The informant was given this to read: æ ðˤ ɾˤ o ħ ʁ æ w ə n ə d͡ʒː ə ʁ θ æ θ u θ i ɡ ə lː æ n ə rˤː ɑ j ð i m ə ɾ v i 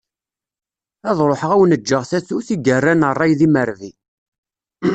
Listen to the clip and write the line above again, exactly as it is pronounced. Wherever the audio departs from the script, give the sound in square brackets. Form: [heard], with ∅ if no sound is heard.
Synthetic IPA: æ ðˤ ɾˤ o ħ ʁ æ w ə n ə d͡ʒː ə ʁ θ æ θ u θ i ɡ ə [rː] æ n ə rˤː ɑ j ð i m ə ɾ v i

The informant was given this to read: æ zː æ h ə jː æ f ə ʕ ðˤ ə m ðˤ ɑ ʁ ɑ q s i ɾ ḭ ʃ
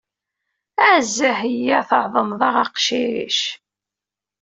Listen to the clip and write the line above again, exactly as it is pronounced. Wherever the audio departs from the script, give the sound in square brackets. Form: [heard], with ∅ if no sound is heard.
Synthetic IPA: æ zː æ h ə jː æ [θ] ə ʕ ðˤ ə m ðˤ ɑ ʁ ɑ q [ʃ] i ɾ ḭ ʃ

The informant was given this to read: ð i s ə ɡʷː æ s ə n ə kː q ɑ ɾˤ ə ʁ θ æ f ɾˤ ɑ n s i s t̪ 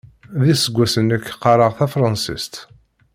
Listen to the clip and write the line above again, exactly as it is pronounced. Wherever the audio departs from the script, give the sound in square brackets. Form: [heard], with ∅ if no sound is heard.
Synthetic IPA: ð i s ə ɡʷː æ s ə n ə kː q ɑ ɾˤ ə ʁ θ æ f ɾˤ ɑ n s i s t̪

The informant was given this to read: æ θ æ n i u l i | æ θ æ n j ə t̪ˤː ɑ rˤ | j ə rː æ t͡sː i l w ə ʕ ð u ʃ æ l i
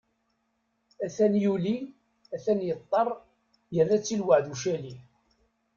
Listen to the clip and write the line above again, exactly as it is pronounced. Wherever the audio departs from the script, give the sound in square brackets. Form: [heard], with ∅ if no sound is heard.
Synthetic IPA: æ θ æ n [j] u l i | æ θ æ n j ə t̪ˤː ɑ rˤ | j ə rː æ t͡sː i l w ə ʕ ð u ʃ æ l i

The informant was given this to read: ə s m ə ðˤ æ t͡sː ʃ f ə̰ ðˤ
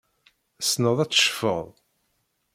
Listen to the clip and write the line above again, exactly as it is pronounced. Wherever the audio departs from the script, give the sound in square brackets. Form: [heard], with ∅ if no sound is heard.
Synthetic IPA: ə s [n] ə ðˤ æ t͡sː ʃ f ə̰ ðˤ

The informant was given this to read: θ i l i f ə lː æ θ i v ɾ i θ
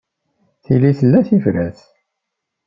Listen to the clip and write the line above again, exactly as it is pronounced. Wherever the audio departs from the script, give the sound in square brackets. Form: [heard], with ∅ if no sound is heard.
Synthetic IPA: θ i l i [θ] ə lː æ θ i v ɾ [æ] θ

